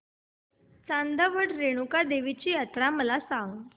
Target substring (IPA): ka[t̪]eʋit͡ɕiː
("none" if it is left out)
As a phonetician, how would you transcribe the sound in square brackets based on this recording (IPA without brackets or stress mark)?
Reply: d̪